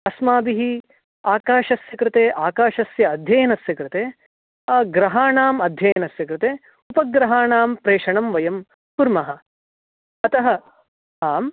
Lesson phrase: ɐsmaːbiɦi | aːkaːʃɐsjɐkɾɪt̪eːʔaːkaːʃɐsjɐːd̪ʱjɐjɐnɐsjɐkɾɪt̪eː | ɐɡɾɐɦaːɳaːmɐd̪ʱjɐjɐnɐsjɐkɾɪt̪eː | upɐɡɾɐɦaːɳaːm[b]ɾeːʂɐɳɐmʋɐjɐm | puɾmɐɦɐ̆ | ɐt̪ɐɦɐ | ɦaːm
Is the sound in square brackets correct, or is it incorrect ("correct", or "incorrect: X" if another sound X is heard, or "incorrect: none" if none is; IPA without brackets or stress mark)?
incorrect: p